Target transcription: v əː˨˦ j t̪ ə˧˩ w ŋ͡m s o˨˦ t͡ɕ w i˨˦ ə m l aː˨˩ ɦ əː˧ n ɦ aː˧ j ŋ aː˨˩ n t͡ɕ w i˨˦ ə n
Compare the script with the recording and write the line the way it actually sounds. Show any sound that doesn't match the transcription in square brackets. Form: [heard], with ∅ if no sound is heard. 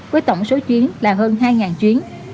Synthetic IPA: v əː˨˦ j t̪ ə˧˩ w ŋ͡m s o˨˦ t͡ɕ w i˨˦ ə [n] l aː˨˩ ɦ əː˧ n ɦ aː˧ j ŋ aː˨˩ n t͡ɕ w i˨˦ ə n